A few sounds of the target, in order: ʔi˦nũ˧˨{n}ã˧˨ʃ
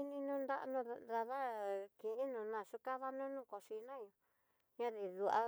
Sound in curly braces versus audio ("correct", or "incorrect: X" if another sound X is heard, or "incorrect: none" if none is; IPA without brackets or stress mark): correct